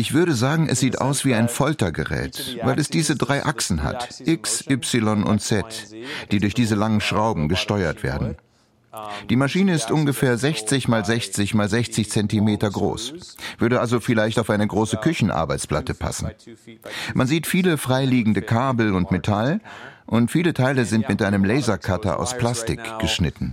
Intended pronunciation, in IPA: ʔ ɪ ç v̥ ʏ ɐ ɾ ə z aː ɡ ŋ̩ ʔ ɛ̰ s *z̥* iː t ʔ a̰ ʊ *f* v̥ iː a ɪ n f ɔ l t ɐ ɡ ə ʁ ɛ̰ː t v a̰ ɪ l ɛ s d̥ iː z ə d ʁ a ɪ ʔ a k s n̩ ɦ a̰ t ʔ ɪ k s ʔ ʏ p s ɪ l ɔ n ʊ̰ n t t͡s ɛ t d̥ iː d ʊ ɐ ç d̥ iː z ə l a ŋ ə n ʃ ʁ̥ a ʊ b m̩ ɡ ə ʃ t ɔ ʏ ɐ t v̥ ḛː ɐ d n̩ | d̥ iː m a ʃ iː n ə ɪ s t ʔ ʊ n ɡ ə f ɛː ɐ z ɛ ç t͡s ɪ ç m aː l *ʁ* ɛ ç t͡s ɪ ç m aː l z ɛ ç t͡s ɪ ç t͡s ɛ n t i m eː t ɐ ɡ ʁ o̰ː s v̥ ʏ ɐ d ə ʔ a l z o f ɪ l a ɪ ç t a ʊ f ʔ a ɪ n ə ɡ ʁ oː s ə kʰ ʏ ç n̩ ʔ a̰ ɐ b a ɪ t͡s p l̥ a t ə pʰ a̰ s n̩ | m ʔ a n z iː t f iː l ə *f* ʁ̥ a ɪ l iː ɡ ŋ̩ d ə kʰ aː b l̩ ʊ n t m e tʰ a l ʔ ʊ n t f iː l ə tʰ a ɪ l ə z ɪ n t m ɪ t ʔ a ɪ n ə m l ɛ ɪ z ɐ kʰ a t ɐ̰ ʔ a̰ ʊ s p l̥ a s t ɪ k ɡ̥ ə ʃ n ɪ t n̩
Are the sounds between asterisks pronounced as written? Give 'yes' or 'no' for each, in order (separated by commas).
yes, no, no, yes